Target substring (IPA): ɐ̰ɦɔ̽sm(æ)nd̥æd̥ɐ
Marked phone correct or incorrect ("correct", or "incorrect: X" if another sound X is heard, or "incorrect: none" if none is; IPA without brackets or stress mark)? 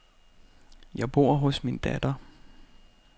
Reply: incorrect: i